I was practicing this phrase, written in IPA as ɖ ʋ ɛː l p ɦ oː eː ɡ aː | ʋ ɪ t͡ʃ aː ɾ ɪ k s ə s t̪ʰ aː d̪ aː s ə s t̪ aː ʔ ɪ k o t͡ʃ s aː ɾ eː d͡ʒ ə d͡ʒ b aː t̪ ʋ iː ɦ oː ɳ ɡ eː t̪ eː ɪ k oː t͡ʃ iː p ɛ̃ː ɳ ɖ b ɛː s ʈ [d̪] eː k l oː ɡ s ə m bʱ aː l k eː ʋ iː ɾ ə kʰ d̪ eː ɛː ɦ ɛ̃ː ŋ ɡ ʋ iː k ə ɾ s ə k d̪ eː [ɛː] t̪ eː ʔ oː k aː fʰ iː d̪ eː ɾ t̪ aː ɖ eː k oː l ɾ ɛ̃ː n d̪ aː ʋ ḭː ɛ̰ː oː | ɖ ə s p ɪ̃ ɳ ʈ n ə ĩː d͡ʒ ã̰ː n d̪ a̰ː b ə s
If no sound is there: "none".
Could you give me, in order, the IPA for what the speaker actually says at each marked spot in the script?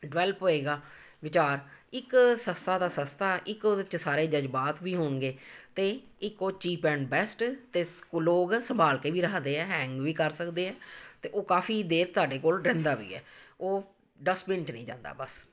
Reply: t̪, ɛː

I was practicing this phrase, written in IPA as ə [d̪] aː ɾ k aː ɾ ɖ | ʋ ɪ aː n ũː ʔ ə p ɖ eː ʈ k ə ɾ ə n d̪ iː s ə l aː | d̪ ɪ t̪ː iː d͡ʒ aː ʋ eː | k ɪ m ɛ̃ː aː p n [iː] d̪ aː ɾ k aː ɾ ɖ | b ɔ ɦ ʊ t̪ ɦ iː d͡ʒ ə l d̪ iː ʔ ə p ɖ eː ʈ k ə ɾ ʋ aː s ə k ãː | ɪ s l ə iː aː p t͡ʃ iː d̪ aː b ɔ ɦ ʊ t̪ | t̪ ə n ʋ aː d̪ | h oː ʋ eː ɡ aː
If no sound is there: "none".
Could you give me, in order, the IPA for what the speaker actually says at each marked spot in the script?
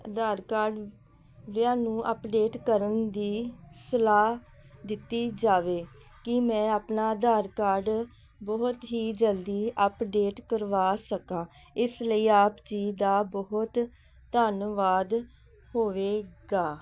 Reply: d̪, aː

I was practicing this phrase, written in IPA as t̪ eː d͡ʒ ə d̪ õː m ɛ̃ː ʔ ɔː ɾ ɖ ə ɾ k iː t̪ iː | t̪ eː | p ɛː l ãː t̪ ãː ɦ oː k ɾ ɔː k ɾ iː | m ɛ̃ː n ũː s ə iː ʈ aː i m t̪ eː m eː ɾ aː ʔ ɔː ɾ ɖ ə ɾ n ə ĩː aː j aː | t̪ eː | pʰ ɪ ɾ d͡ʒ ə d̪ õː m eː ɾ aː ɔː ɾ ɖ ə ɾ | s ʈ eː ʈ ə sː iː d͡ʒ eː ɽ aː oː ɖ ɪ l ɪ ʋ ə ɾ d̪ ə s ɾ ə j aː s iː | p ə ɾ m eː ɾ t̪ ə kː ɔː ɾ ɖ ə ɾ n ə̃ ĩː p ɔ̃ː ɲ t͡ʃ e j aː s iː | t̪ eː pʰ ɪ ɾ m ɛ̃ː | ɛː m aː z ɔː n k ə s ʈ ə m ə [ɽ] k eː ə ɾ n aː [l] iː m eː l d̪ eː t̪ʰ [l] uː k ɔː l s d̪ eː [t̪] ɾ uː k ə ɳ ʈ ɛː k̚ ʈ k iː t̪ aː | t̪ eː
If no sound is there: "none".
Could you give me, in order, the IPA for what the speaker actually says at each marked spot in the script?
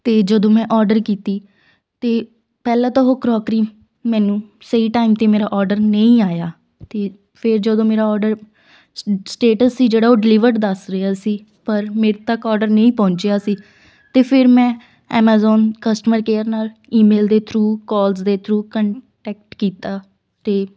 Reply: ɾ, l, ɾ, t̪ʰ

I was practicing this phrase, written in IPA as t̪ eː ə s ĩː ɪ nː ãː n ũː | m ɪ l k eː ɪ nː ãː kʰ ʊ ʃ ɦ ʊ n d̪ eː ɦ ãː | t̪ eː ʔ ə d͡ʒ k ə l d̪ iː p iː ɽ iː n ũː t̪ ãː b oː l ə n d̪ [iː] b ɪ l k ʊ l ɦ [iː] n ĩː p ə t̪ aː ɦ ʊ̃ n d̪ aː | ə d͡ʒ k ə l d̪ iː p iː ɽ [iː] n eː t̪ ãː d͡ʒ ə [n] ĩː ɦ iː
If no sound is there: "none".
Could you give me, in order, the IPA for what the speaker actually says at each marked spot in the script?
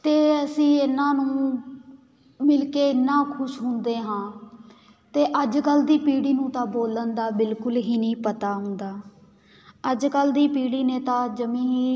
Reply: aː, iː, iː, m

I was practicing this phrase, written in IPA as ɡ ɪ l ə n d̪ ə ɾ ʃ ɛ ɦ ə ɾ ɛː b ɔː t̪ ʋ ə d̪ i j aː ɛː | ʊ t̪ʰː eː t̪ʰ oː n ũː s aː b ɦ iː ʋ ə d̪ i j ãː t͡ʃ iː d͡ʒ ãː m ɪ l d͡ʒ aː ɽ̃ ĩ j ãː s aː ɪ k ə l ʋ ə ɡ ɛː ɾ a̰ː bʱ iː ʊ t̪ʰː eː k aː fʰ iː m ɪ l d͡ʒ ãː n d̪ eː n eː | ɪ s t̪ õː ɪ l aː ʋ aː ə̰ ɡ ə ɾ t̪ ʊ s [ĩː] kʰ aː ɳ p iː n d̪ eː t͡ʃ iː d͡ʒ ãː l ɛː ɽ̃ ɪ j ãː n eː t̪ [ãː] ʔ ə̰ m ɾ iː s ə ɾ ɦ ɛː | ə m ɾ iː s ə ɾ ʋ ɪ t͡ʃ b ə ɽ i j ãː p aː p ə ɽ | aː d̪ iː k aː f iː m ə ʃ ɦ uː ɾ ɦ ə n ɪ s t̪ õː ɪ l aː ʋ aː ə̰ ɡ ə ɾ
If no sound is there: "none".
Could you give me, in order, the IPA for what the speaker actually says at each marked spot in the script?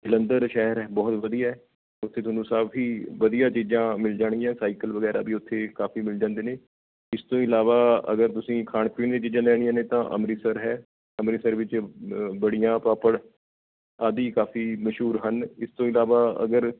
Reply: ĩː, ãː

